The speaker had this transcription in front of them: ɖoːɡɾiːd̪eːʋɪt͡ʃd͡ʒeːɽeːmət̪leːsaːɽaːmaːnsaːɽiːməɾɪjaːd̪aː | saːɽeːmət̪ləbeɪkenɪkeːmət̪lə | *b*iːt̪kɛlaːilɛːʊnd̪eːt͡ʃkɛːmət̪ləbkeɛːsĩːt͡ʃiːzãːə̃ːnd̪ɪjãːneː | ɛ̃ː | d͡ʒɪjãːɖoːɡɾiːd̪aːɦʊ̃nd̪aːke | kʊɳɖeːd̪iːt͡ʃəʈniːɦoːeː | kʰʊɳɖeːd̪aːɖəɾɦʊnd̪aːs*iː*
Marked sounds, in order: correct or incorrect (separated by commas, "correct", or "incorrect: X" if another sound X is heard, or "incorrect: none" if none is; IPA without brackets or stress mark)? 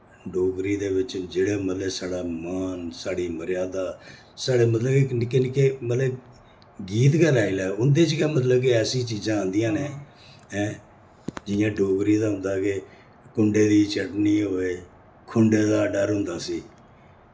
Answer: incorrect: ɡ, correct